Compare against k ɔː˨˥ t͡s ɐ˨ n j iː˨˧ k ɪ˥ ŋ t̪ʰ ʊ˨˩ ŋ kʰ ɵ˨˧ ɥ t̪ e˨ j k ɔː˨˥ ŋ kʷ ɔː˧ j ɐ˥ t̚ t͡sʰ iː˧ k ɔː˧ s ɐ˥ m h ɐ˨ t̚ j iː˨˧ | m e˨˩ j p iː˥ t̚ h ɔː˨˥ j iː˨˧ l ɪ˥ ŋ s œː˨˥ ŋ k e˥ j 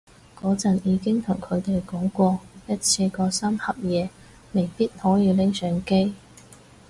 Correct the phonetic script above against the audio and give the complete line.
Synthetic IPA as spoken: k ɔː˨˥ t͡s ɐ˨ n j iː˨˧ k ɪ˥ ŋ t̪ʰ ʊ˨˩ ŋ kʰ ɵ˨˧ ɥ t̪ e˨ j k ɔː˨˥ ŋ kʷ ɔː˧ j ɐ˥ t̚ t͡sʰ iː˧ k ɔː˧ s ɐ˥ m h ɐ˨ p̚ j ɛː˨˧ | m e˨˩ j p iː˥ t̚ h ɔː˨˥ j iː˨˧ l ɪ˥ ŋ s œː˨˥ ŋ k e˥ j